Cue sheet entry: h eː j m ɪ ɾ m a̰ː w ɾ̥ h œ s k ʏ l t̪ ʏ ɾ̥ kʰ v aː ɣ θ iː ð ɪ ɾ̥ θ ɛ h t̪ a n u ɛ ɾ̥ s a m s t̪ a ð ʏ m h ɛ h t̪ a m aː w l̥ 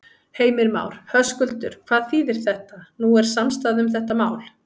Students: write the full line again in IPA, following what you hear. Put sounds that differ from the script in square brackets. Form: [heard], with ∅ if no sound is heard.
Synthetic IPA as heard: h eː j m ɪ ɾ m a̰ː w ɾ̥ h œ s k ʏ l t̪ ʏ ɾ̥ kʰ v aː [ð] θ iː ð ɪ ɾ̥ θ ɛ h t̪ a n u ɛ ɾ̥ s a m s t̪ a ð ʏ m [θ] ɛ h t̪ a m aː w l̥